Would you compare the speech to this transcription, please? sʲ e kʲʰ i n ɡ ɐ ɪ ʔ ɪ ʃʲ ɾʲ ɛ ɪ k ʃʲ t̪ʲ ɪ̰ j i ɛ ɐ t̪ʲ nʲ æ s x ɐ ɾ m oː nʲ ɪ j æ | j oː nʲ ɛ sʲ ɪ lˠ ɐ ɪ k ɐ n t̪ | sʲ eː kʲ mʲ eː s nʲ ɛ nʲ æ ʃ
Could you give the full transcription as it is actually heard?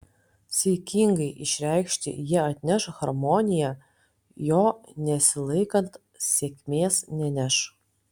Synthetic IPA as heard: sʲ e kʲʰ i ŋ ɡ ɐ ɪ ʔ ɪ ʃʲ ɾʲ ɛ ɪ k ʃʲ t̪ʲ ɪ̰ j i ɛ ɐ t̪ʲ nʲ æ ʃ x ɐ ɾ m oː nʲ ɪ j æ | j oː nʲ ɛ sʲ ɪ lˠ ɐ ɪ k ɐ n t̪ | sʲ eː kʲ mʲ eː s nʲ ɛ nʲ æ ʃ

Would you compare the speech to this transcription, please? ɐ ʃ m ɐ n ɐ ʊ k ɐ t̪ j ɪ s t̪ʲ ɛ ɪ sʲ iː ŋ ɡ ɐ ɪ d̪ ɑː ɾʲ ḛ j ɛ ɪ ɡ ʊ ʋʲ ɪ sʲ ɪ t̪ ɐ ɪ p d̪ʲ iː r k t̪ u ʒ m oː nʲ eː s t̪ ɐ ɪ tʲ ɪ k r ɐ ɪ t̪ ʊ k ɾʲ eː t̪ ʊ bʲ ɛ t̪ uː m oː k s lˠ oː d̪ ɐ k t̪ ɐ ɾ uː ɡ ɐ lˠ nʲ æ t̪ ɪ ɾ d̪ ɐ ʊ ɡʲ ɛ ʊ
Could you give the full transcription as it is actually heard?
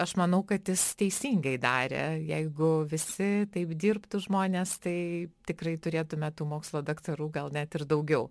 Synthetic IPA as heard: ɐ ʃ m ɐ n ɐ ʊ k ɐ t̪ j ɪ s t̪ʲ ɛ ɪ sʲ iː ŋ ɡ ɐ ɪ d̪ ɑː ɾʲ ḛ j ɛ ɪ ɡ ʊ ʋʲ ɪ sʲ ɪ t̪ ɐ ɪ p d̪ʲ iː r p t̪ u ʒ m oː nʲ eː s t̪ ɐ ɪ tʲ ɪ k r ɐ ɪ t̪ ʊ ɾʲ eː t̪ ʊ mʲ ɛ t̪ uː m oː k s lˠ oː d̪ ɐ k t̪ ɐ ɾ uː ɡ ɐ lˠ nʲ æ t̪ ɪ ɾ d̪ ɐ ʊ ɡʲ ɛ ʊ

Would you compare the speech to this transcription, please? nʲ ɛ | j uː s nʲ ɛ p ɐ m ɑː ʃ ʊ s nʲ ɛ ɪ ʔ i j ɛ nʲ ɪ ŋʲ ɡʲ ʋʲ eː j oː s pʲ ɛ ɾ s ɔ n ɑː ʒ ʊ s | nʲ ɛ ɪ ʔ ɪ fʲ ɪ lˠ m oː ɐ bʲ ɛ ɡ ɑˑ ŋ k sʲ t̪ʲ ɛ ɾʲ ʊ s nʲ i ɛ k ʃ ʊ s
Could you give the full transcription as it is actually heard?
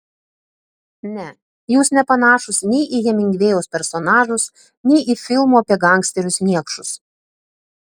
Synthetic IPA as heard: nʲ ɛ | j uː s nʲ ɛ p ɐ n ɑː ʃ ʊ s nʲ ɛ ɪ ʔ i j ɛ mʲ ɪ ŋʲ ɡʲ ʋʲ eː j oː s pʲ ɛ ɾ s ɔ n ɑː ʒ ʊ s | nʲ ɛ ɪ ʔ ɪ fʲ ɪ lˠ m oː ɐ pʲ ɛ ɡ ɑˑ ŋ k sʲ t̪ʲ ɛ ɾʲ ʊ s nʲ i ɛ k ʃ ʊ s

